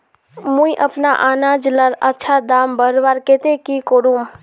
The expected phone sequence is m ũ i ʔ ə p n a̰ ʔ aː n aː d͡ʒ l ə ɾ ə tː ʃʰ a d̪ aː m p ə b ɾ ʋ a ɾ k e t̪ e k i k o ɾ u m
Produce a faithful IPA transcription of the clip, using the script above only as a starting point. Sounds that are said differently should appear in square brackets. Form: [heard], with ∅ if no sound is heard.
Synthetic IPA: m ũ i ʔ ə p n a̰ ʔ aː n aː d͡ʒ l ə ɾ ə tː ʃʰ a d̪ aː m [b] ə [∅] ɾ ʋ a ɾ k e t̪ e k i k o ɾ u m